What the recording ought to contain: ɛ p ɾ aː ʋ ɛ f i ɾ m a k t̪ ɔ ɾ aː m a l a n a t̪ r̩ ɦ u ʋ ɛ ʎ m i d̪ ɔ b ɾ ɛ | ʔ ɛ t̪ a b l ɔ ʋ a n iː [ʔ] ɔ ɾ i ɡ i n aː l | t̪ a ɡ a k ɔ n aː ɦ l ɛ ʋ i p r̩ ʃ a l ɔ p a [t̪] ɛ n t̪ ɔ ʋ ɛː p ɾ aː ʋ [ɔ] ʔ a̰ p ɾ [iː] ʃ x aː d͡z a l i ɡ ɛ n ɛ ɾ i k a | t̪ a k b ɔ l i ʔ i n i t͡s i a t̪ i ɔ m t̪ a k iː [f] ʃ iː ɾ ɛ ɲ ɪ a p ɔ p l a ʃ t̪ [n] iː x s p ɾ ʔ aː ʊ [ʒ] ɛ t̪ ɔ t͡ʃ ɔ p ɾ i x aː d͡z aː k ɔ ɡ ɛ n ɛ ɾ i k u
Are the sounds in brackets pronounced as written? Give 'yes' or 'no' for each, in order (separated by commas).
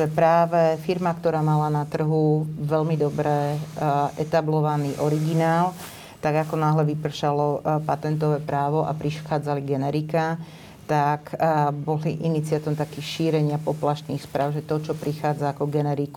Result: yes, yes, yes, no, no, yes, yes